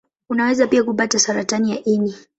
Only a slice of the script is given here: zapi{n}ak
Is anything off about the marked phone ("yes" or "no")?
yes